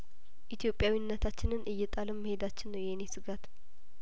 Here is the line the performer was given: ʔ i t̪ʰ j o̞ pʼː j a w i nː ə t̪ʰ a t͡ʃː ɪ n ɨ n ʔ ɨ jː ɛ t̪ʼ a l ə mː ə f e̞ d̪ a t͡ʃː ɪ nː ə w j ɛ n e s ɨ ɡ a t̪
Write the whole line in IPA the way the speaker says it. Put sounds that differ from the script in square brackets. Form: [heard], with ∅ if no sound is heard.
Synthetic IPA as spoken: ʔ i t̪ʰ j o̞ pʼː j a w i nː ə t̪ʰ a t͡ʃː ɪ n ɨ n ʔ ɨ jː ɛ t̪ʼ a l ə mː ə [h] e̞ d̪ a t͡ʃː ɪ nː ə w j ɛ n e s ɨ ɡ a t̪